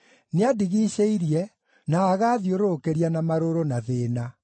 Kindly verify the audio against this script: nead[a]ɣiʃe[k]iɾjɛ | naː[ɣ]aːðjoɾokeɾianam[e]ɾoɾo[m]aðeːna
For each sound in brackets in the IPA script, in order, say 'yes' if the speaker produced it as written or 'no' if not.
no, no, yes, no, no

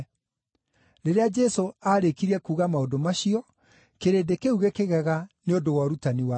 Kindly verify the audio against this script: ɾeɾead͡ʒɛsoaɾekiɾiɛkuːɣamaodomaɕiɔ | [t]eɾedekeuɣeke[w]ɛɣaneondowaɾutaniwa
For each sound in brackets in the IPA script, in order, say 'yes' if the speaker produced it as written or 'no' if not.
no, no

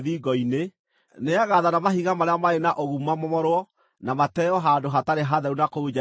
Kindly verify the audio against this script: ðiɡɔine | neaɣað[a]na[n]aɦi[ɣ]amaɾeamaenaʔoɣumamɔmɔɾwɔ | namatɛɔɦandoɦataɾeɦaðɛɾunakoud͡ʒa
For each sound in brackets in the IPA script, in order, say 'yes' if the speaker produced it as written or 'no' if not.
yes, no, yes

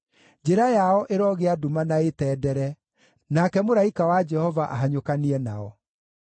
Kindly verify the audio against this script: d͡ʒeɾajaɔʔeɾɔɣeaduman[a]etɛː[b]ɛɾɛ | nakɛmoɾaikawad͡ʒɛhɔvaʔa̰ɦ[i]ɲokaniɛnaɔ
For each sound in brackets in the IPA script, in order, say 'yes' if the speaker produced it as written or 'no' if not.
yes, no, no

